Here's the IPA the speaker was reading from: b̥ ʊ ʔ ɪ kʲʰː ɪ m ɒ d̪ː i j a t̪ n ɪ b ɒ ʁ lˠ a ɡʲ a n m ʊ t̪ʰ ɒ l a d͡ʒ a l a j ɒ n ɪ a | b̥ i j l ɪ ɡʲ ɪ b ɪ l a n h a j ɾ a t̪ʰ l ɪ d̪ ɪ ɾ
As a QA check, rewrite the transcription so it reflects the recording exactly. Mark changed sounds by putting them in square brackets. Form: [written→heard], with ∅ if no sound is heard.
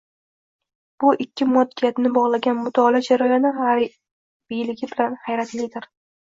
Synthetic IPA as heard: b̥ ʊ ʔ ɪ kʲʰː ɪ m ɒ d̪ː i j a t̪ n ɪ b ɒ ʁ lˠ a ɡʲ a n m ʊ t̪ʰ ɒ l a d͡ʒ a [l→ɾ] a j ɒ n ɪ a | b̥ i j l ɪ ɡʲ ɪ b ɪ l a n h a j ɾ a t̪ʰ l ɪ d̪ ɪ ɾ

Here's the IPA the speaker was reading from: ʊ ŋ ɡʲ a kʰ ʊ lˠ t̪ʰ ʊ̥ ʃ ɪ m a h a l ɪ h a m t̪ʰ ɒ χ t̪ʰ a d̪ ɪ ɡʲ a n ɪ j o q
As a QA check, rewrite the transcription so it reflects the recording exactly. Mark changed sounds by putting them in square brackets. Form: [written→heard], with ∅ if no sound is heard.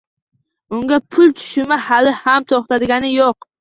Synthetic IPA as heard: ʊ ŋ ɡʲ a [kʰ→pʰ] ʊ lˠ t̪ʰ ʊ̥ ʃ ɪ m a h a l ɪ h a m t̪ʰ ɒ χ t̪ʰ a d̪ ɪ ɡʲ a n ɪ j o q

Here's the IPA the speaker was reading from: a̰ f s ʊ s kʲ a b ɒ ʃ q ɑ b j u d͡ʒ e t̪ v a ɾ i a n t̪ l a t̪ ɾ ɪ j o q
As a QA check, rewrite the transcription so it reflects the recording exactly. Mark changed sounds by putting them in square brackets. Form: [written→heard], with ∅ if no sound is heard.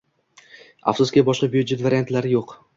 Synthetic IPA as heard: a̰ f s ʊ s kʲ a b ɒ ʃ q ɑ b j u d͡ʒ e t̪ v a ɾ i a n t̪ l a [t̪→∅] ɾ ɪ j o q

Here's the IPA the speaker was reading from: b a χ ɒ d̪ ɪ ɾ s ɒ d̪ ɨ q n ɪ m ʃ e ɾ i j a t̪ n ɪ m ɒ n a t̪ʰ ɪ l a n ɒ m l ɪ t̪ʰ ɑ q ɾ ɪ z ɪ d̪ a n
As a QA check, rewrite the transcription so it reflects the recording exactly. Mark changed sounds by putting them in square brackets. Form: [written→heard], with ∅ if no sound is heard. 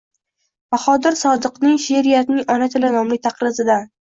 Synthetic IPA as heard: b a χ ɒ d̪ ɪ ɾ s ɒ d̪ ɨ q n ɪ [m→ŋ] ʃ e ɾ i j a t̪ n ɪ [m→ŋ] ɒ n a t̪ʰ ɪ l a n ɒ m l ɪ t̪ʰ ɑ q ɾ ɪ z ɪ d̪ a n

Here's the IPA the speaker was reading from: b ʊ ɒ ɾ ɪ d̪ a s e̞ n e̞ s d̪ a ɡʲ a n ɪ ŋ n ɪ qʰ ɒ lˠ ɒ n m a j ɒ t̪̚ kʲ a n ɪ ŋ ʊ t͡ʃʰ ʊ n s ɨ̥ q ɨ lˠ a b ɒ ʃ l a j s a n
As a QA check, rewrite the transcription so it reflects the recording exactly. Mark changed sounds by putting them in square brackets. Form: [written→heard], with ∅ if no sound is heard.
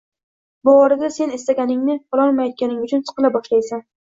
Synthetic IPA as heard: b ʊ ɒ ɾ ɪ d̪ a s e̞ n e̞ s [d̪→t̪] a ɡʲ a n ɪ ŋ n ɪ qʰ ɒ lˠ ɒ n m a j ɒ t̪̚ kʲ a n ɪ ŋ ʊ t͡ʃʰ ʊ n s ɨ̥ q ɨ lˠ a b ɒ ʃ l a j s a n

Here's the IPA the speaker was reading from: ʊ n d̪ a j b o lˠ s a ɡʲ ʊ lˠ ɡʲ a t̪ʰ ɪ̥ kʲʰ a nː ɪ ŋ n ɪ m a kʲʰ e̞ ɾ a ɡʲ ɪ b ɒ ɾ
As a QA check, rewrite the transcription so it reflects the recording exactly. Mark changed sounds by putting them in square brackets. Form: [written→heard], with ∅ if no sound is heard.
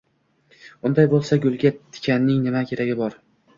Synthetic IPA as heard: ʊ n d̪ a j b o lˠ s a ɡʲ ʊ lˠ ɡʲ a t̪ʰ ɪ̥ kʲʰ a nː ɪ ŋ n ɪ m a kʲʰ e̞ ɾ a ɡʲ ɪ b ɒ ɾ

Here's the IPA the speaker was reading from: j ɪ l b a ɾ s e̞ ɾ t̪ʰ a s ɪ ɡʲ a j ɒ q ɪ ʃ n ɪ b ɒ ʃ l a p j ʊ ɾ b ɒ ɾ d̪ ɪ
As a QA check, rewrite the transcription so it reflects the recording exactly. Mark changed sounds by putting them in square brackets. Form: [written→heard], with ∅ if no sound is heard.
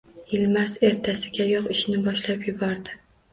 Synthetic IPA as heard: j ɪ l [b→m] a ɾ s e̞ ɾ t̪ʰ a s ɪ ɡʲ a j ɒ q ɪ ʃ n ɪ b ɒ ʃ l a p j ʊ [ɾ→∅] b ɒ ɾ d̪ ɪ

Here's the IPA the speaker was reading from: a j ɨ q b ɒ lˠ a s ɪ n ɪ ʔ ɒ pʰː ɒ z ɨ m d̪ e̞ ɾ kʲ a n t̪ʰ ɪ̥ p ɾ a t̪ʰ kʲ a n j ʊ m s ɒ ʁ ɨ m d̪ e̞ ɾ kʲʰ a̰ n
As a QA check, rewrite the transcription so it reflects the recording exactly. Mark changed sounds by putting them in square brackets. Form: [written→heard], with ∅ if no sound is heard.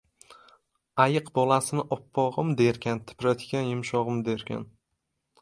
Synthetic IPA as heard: a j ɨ q b ɒ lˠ a s ɪ n ɪ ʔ ɒ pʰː ɒ [z→ʁ] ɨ m d̪ e̞ ɾ kʲ a n t̪ʰ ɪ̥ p ɾ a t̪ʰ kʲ a n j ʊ m [s→ʃ] ɒ ʁ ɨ m d̪ e̞ ɾ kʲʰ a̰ n

